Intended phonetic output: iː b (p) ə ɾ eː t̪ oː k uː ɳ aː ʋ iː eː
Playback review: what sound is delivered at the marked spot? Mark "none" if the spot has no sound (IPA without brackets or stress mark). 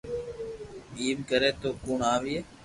k